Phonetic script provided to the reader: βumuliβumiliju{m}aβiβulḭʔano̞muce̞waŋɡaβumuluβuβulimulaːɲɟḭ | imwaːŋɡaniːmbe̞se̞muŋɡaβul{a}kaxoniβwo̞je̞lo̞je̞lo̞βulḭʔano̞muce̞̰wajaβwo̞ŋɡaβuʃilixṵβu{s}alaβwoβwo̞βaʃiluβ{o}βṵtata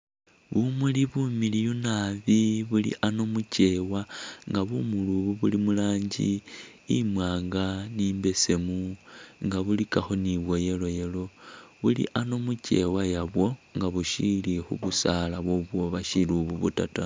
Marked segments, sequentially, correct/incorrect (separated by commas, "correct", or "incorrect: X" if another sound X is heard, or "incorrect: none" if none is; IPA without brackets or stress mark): incorrect: n, incorrect: i, correct, incorrect: u